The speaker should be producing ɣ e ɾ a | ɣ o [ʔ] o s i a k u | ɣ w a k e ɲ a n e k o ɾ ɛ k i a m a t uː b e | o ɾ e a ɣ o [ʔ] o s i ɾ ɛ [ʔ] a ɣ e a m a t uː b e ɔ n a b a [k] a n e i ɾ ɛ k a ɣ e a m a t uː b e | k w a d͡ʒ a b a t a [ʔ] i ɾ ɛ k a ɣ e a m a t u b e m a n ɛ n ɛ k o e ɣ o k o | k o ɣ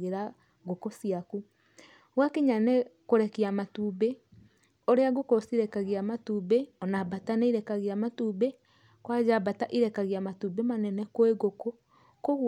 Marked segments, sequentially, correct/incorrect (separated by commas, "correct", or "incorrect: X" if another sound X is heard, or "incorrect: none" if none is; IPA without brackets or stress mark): incorrect: k, incorrect: k, incorrect: k, incorrect: t, correct